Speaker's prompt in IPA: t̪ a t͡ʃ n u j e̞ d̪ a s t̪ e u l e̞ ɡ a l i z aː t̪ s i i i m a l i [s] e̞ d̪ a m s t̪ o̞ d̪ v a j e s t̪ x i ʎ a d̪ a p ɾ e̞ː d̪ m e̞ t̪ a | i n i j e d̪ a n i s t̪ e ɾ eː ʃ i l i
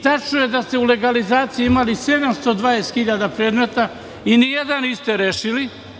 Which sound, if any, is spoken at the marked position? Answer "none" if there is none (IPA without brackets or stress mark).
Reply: s